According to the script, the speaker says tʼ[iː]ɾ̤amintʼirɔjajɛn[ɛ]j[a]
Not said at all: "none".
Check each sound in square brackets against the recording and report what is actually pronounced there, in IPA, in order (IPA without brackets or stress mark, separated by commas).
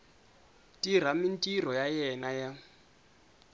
i, a, a